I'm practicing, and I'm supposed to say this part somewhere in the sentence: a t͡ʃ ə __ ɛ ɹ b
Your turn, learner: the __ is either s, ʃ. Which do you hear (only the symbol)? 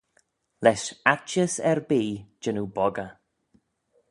s